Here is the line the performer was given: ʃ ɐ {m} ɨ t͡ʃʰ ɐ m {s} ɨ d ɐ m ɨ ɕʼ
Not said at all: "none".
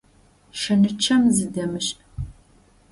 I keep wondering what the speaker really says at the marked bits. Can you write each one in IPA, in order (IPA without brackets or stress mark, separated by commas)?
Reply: n, z